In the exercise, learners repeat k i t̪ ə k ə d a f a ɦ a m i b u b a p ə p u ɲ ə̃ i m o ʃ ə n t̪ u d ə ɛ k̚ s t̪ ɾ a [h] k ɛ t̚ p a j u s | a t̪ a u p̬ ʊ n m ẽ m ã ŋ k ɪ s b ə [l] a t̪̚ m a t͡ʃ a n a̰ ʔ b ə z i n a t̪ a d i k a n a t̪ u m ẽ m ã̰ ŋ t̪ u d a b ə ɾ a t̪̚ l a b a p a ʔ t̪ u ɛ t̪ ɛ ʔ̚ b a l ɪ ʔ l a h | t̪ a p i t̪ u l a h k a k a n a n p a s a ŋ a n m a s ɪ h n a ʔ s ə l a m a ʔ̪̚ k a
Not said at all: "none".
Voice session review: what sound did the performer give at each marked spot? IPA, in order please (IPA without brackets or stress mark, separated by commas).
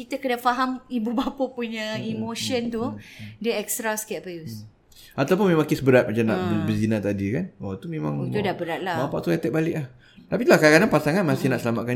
s, ɾ